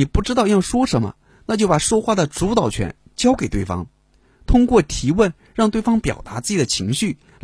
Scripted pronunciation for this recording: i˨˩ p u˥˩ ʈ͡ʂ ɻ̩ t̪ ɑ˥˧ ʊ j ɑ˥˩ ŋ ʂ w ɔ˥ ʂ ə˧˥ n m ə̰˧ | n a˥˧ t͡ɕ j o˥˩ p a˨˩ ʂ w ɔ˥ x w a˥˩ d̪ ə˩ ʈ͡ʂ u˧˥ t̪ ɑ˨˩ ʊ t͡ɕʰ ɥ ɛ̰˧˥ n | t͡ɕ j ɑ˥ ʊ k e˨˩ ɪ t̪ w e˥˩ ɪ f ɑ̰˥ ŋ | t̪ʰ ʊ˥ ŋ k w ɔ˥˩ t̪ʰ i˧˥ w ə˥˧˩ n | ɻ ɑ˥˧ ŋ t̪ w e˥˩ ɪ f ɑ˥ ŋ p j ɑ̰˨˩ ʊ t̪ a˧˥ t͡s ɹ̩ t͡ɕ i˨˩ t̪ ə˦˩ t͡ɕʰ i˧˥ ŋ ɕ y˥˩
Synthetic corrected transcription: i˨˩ p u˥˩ ʈ͡ʂ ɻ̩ t̪ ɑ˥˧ ʊ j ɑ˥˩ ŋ ʂ w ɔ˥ ʂ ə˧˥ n m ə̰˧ | n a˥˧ t͡ɕ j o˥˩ p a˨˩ ʂ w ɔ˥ x w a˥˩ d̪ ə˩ ʈ͡ʂ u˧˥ t̪ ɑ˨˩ ʊ t͡ɕʰ ɥ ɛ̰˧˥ n | t͡ɕ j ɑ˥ ʊ k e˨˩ ɪ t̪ w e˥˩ ɪ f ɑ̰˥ ŋ | t̪ʰ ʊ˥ ŋ k w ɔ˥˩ t̪ʰ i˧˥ w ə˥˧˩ n | ɻ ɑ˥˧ ŋ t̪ w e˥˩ ɪ f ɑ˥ ŋ p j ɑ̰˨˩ ʊ t̪ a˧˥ t͡s ɹ̩ t͡ɕ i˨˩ d̪ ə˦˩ t͡ɕʰ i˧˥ ŋ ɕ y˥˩